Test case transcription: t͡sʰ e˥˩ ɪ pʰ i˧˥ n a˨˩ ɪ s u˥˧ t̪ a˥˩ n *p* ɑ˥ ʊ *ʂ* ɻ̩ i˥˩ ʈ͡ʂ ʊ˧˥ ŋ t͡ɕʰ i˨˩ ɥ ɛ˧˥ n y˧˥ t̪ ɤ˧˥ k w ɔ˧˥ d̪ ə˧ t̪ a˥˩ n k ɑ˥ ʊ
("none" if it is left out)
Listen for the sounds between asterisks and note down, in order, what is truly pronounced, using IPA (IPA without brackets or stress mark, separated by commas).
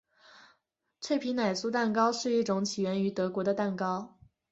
k, ʂ